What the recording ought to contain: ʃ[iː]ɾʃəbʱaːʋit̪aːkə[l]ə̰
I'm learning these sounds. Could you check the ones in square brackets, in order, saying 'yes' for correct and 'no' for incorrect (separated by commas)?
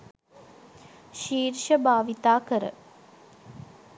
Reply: yes, no